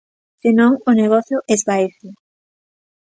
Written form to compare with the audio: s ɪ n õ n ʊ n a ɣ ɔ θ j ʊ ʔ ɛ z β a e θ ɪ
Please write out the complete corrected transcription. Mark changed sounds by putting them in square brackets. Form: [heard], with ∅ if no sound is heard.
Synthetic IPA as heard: s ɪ n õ [ŋ] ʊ n [e] ɣ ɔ θ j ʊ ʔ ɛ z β a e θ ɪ